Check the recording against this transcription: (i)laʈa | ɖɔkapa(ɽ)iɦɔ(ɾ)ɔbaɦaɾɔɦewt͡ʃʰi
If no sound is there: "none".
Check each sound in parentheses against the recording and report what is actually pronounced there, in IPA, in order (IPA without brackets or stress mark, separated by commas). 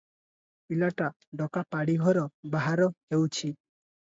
i, ɽ, ɾ